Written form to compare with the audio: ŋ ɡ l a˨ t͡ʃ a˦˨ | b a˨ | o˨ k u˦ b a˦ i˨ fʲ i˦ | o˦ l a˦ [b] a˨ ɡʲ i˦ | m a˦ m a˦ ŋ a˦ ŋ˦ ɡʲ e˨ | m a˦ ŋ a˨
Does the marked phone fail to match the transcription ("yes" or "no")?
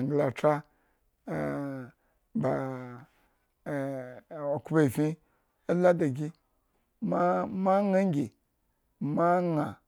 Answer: yes